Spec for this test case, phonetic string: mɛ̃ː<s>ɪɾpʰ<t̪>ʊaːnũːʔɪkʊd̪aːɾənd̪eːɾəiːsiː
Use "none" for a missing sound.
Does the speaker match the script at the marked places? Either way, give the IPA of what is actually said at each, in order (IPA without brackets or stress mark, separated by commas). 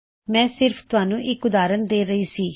s, t̪